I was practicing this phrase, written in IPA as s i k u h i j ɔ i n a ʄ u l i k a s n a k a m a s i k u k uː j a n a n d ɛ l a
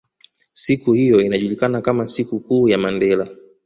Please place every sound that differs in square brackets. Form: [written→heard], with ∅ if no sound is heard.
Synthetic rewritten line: s i k u h i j ɔ i n a ʄ u l i k a [s→∅] n a k a m a s i k u k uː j a [n→m] a n d ɛ l a